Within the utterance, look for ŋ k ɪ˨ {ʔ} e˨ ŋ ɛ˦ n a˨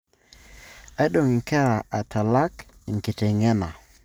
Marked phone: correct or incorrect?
incorrect: t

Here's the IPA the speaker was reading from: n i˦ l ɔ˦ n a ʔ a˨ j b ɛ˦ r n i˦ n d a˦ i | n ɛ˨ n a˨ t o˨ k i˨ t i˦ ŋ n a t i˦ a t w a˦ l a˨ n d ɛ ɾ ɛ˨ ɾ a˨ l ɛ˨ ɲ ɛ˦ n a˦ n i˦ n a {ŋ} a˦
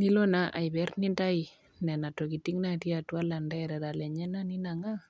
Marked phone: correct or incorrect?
correct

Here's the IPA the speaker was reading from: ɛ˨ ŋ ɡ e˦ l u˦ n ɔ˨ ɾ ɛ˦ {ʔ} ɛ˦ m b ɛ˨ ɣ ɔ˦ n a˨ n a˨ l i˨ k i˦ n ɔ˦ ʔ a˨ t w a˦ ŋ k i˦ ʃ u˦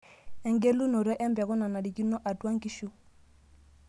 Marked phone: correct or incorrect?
correct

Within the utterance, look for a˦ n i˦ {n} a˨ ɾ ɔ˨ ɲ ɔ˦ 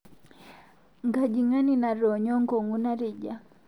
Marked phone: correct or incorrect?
correct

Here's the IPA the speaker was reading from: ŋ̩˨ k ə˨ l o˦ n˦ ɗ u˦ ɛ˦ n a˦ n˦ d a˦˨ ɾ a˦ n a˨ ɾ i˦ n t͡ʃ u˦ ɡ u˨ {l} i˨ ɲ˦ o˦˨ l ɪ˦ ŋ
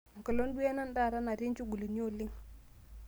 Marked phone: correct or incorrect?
correct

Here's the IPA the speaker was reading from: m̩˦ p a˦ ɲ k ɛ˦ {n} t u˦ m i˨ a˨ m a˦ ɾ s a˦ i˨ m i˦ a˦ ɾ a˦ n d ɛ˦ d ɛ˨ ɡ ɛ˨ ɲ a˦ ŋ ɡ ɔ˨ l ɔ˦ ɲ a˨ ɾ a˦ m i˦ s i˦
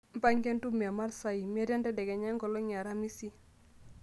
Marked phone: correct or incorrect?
correct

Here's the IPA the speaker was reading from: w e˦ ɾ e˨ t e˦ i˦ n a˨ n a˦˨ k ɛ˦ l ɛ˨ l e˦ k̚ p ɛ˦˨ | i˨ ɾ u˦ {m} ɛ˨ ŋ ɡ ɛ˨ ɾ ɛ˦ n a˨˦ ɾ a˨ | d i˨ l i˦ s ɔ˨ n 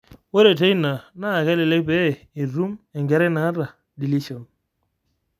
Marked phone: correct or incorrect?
correct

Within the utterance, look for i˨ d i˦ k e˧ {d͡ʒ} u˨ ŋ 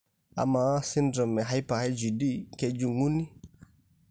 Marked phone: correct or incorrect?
correct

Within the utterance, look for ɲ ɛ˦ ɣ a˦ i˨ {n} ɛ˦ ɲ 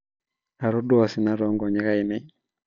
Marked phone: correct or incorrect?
correct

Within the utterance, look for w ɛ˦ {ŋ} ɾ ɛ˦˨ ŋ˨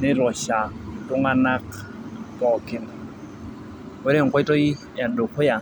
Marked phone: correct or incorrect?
incorrect: none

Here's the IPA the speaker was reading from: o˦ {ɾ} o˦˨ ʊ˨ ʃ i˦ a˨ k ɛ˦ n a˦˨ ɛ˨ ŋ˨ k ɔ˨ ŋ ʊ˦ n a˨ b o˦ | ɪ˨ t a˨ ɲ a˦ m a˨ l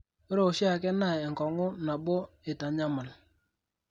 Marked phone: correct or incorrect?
correct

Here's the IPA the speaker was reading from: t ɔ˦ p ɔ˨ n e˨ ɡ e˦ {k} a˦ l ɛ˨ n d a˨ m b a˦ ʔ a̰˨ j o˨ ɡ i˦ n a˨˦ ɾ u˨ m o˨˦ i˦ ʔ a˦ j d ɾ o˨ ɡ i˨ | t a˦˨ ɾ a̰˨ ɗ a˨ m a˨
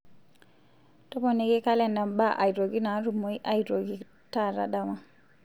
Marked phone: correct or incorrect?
correct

